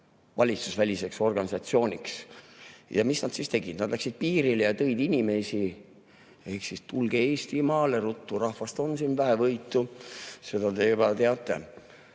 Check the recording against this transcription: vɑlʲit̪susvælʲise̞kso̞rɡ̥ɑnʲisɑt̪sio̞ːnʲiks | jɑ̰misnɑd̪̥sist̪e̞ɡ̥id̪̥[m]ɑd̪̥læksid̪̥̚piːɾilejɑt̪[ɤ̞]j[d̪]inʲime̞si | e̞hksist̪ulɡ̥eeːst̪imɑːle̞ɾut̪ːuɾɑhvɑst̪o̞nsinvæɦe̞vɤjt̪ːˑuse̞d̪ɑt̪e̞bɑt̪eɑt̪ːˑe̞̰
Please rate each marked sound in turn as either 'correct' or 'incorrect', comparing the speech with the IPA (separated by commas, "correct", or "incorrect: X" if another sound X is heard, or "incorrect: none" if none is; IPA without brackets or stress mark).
incorrect: n, correct, correct